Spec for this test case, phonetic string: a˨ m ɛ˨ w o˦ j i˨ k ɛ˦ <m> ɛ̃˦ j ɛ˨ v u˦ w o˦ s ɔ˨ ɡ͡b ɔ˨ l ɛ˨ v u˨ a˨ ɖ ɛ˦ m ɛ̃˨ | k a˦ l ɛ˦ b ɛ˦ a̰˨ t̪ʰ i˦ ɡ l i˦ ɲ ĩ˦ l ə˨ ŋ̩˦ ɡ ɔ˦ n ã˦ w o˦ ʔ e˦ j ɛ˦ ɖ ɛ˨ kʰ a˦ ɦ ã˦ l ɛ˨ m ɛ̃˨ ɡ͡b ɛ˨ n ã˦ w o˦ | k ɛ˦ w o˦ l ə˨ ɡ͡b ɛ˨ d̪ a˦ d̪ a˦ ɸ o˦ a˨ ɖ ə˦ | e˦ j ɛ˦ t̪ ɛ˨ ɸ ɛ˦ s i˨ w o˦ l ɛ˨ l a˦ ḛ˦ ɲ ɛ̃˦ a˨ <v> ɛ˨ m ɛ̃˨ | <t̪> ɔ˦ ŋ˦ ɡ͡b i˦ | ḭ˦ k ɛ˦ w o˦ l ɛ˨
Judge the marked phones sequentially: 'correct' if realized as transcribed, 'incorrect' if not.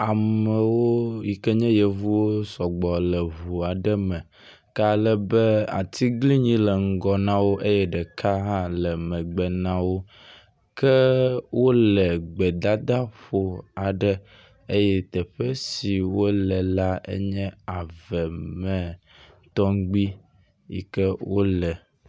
incorrect, correct, correct

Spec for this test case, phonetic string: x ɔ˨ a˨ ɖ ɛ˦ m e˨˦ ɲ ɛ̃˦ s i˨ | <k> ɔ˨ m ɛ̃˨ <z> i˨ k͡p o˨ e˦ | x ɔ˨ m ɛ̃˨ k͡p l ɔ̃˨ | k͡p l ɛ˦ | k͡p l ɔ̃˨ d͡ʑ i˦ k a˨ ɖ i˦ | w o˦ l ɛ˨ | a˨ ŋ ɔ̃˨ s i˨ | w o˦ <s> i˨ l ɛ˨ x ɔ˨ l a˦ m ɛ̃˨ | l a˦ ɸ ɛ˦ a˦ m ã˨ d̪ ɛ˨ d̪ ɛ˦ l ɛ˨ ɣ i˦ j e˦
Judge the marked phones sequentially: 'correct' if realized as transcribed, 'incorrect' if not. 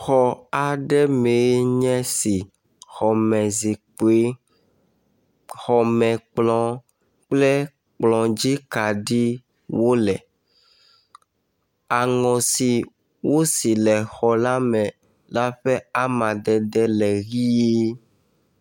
incorrect, correct, correct

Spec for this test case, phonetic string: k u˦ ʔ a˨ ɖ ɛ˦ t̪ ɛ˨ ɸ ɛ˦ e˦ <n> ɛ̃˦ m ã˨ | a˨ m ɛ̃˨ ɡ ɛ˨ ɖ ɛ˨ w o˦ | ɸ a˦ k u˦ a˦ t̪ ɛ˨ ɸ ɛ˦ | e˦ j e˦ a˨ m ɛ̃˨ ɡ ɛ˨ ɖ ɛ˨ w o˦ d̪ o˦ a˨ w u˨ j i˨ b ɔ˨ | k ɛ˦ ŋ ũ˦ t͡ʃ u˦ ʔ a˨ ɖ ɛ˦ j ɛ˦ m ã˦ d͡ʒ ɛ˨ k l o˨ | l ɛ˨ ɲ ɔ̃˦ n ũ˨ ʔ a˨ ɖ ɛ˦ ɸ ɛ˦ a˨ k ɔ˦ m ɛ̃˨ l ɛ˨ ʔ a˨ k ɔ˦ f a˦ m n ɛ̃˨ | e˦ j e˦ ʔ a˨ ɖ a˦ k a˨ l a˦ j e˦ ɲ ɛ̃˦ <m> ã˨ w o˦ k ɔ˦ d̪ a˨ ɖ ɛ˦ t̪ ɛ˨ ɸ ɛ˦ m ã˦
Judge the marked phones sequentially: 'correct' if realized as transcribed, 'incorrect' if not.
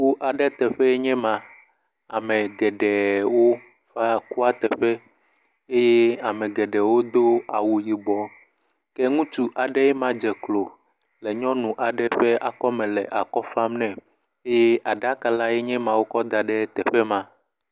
incorrect, correct

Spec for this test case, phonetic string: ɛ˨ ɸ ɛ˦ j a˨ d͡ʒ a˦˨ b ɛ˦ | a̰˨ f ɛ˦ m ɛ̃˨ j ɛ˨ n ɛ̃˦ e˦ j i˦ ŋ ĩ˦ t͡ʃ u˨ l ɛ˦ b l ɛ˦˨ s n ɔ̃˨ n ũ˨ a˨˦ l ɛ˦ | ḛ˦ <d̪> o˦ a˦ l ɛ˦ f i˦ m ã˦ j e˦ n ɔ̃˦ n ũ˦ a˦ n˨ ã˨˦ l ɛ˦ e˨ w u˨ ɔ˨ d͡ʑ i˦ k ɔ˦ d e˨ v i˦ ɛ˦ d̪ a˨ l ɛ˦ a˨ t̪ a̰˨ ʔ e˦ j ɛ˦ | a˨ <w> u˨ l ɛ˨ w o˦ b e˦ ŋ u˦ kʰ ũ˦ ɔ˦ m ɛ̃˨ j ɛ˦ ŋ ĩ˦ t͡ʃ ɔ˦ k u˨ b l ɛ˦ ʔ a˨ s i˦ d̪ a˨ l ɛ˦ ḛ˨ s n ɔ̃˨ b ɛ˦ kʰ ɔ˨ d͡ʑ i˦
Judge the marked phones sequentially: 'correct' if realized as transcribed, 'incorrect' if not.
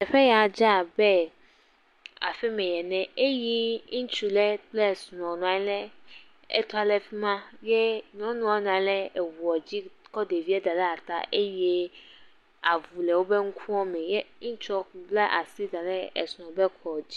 incorrect, incorrect

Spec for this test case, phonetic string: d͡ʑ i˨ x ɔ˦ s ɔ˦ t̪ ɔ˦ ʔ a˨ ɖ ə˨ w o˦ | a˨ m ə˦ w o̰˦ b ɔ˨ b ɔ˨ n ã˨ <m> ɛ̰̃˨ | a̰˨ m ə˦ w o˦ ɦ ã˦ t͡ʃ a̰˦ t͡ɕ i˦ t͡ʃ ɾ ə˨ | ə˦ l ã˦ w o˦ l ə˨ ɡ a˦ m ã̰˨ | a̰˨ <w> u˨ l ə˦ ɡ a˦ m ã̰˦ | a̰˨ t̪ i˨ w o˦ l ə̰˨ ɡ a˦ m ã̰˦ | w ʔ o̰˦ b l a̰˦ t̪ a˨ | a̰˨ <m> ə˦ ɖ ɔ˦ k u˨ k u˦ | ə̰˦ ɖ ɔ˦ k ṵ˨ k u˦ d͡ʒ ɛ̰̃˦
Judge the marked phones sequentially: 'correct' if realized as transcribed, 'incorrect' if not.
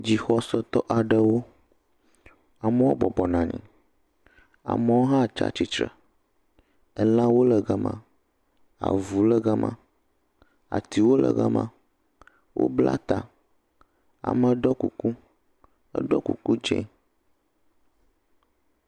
incorrect, incorrect, correct

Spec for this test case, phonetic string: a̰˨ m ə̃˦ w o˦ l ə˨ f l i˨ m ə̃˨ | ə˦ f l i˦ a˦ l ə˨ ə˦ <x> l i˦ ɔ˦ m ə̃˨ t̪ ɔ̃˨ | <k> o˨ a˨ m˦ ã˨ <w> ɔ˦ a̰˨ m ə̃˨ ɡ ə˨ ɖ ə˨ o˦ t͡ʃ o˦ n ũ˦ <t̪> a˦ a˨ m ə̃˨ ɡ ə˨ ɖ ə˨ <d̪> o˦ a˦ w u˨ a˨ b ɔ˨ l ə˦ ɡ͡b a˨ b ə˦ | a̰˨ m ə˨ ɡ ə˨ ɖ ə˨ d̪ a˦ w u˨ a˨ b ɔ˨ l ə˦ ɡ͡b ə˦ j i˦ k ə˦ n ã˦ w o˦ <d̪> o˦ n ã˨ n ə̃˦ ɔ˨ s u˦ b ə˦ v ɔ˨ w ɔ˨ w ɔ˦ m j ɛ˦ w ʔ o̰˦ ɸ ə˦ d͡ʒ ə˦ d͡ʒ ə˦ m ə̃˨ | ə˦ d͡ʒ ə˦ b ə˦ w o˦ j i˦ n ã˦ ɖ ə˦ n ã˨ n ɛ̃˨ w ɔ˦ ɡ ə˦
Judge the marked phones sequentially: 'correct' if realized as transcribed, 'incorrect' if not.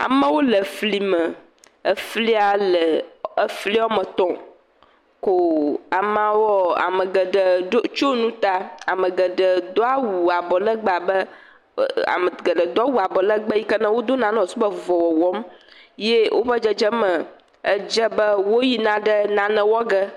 incorrect, correct, correct, correct, correct, correct

